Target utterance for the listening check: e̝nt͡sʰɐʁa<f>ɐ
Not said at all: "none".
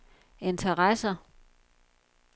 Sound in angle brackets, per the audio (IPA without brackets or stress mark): s